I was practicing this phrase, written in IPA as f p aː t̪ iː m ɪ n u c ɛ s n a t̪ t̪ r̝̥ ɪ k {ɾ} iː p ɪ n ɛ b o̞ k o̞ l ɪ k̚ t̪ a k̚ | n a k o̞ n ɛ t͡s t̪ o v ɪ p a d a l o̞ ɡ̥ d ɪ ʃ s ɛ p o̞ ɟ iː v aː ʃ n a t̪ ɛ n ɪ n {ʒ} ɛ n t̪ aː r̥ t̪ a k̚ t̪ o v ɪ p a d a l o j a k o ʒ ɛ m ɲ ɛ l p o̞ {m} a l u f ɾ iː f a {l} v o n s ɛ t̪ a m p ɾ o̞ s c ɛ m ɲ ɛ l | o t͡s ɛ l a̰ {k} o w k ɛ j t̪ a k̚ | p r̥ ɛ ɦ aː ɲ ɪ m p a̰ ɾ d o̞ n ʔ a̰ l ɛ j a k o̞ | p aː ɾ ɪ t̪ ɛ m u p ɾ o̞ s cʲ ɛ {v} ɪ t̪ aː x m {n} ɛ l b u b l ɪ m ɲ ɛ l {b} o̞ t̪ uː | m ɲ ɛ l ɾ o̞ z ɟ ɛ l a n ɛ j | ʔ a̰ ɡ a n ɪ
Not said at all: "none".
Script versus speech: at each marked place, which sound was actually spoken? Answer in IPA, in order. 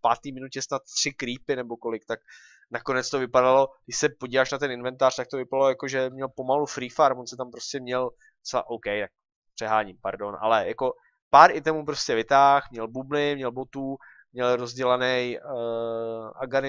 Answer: ɾ, v, m, ɾ, ʔ, v, ɲ, b

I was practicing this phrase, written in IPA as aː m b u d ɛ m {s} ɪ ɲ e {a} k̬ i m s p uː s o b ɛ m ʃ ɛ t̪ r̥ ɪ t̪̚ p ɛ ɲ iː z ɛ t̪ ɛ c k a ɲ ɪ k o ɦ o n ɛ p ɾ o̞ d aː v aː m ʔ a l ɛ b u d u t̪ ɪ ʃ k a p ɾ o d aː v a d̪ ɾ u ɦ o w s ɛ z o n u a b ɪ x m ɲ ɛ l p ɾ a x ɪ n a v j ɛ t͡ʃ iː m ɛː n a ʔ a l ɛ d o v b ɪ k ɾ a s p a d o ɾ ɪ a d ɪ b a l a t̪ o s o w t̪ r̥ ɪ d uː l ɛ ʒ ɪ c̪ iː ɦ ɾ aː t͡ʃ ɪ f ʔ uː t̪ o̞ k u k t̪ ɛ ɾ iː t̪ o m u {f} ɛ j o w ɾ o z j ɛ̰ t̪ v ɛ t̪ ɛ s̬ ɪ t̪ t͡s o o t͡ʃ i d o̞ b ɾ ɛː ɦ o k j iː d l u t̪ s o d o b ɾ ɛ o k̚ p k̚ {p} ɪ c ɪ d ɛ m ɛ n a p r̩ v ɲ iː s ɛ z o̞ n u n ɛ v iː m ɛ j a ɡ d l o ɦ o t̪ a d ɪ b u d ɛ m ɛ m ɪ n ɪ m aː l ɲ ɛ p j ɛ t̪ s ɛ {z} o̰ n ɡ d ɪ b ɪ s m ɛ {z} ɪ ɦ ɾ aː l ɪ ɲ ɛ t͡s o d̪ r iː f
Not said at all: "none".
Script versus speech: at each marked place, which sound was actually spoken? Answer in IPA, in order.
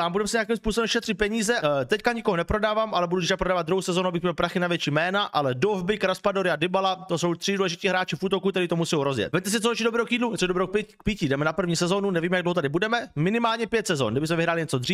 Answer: s, a, s, p, z, v

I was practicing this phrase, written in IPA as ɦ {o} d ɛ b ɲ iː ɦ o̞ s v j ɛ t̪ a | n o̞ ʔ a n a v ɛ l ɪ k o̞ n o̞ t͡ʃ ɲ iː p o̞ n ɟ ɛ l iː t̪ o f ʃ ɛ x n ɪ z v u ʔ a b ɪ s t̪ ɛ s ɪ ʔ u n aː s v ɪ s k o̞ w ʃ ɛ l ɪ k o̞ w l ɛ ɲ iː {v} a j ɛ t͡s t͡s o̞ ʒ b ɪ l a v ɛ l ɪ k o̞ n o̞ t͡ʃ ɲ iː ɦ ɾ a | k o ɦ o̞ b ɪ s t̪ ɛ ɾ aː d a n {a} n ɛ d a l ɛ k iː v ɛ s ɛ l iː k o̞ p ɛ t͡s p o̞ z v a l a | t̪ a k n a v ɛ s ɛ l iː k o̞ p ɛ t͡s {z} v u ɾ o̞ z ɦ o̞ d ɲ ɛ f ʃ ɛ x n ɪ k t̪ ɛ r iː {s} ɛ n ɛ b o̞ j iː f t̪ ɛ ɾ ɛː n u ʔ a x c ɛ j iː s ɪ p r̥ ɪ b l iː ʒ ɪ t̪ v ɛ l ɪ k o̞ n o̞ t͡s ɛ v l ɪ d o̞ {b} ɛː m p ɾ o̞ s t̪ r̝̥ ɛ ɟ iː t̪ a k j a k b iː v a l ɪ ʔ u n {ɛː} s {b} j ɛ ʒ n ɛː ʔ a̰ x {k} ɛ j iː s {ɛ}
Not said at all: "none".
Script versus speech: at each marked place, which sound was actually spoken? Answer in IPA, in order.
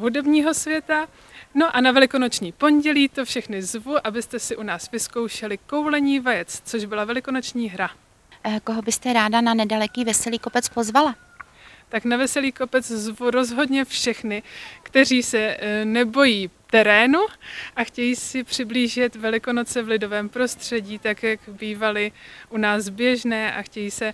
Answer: u, v, a, z, s, v, aː, b, c, ɛ

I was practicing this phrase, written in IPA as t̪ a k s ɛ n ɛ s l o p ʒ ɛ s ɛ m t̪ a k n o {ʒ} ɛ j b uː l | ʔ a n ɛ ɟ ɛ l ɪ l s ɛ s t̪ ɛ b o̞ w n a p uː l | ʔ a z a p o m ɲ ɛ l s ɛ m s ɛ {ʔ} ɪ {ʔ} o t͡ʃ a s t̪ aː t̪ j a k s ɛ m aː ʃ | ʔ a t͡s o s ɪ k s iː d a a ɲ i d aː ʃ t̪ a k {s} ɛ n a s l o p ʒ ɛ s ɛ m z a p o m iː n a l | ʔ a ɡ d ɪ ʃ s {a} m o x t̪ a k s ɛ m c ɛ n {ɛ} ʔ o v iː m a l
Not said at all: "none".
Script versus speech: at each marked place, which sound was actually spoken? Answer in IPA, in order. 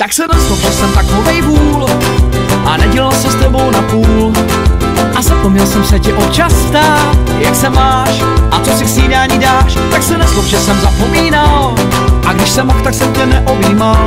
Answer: v, c, ʔ, s, ɛ, ɛ

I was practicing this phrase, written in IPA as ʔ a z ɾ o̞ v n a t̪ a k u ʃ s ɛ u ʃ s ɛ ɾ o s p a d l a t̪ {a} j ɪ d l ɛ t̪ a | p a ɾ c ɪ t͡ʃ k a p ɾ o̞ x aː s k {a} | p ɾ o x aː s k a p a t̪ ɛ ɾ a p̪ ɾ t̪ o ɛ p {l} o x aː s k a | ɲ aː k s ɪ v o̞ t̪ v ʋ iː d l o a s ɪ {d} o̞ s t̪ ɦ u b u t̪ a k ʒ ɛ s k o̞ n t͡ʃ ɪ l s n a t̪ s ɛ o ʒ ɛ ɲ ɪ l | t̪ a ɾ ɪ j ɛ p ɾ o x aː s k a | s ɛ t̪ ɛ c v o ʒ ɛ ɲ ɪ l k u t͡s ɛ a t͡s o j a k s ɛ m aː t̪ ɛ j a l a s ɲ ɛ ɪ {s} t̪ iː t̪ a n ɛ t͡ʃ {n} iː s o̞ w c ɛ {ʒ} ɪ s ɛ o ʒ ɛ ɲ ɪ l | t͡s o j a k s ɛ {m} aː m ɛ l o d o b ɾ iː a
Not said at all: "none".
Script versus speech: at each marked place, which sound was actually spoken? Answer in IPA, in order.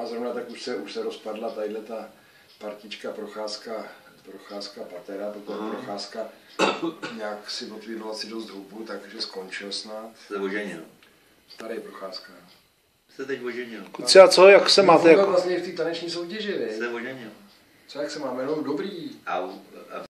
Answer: a, a, ɾ, d, f, ɲ, ʒ, m

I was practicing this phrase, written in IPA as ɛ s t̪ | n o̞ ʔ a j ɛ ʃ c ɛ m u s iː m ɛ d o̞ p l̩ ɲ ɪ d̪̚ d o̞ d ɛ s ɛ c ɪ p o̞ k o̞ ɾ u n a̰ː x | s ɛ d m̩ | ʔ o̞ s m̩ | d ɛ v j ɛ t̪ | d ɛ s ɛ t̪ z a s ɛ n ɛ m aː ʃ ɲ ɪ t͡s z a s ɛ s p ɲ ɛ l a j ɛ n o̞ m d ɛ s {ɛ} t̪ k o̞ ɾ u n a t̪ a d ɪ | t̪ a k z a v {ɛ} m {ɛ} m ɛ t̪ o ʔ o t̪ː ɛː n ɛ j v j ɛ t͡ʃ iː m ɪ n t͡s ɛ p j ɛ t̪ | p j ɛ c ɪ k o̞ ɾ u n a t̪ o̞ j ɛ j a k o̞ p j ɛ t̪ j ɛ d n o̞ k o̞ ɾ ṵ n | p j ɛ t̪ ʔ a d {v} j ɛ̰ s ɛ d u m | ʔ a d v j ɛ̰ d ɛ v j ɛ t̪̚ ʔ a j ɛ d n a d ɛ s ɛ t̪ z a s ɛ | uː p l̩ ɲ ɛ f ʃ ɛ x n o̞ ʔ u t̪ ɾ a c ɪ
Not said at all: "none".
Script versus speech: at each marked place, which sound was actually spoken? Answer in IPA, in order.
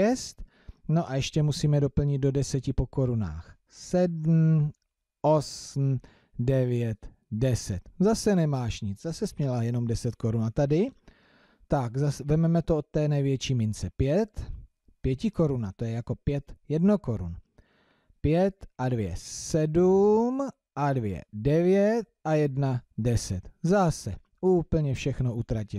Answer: ɛ, ɛ, ɛ, v

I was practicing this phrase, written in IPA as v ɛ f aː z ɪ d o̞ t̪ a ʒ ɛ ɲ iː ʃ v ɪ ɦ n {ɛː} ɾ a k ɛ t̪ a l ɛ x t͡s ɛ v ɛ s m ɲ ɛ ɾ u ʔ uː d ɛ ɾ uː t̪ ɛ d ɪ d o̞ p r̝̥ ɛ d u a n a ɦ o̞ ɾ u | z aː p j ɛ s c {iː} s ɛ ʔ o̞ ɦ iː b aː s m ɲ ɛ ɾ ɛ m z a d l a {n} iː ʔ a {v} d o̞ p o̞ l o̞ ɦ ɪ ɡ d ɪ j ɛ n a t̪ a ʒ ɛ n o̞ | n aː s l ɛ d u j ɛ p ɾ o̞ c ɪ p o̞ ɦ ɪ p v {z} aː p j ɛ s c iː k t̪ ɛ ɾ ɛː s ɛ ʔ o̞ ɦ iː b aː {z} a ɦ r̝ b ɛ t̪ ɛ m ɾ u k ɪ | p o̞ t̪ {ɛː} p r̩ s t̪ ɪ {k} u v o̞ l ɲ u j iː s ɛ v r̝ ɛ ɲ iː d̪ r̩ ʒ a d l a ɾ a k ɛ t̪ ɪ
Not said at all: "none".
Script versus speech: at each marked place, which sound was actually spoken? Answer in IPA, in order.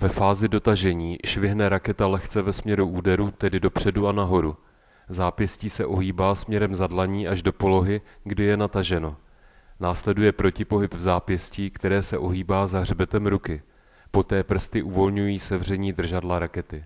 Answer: ɛ, iː, ɲ, ʒ, z, z, ɛː, ʔ

